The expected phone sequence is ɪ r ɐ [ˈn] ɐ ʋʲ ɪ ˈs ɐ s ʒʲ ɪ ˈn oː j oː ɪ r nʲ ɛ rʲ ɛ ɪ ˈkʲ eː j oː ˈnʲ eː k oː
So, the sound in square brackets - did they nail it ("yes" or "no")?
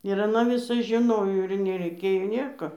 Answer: yes